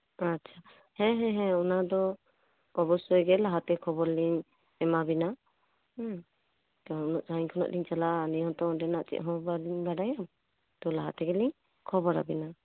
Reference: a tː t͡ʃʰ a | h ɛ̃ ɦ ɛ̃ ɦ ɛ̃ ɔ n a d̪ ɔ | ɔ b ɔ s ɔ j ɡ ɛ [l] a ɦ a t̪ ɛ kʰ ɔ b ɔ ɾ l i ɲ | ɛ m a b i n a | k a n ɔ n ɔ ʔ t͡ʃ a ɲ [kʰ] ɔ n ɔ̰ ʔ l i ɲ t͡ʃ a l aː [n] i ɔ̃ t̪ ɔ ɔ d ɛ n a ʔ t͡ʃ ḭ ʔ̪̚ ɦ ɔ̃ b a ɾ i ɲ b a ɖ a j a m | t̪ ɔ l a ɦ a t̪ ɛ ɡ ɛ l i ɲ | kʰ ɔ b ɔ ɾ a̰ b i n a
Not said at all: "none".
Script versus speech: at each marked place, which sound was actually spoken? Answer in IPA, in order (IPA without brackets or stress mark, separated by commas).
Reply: l, kʰ, n